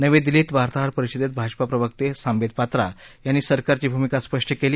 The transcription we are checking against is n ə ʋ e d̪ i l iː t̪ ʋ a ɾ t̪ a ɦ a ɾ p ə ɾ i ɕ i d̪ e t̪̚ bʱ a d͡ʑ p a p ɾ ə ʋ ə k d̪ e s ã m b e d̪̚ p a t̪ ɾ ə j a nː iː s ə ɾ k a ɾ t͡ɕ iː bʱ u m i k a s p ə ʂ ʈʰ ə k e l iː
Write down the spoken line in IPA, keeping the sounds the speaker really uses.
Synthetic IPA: n ə ʋ e d̪ i l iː t̪ ʋ a ɾ t̪ a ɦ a ɾ p ə ɾ i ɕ i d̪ e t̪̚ bʱ a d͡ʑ p a p ɾ ə ʋ ə k t̪ e s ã m b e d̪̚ p a t̪ ɾ a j a nː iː s ə ɾ k a ɾ t͡ɕ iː bʱ u m i k a s p ə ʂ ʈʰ ə k e l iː